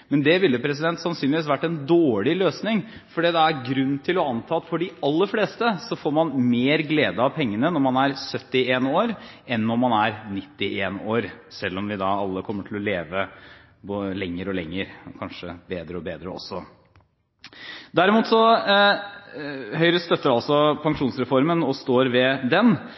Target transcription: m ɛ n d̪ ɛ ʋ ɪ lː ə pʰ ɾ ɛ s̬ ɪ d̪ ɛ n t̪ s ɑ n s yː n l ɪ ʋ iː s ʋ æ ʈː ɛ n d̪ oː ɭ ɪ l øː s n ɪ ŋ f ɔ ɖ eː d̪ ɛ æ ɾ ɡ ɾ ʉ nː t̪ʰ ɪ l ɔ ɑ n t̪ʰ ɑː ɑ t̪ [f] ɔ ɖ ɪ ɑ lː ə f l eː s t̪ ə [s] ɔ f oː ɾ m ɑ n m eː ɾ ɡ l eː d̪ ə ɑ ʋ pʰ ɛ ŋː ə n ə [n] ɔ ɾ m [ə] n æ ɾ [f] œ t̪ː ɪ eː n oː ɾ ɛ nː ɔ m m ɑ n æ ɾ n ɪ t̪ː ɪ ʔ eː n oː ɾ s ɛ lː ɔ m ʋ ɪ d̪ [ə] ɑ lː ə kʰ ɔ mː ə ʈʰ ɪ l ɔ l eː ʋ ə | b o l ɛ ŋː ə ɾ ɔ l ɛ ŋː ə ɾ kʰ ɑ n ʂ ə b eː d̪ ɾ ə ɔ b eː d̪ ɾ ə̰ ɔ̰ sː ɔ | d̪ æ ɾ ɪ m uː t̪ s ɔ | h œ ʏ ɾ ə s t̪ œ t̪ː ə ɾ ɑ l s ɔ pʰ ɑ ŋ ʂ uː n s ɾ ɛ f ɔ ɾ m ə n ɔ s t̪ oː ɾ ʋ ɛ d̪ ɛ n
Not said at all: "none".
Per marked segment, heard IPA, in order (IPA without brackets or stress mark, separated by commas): f, s, n, ɑ, s, ɑ